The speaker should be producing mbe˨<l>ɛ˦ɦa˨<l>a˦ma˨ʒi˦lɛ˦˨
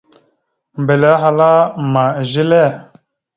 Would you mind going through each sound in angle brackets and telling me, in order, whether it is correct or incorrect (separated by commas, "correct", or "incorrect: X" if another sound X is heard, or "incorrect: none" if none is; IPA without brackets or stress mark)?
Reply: correct, correct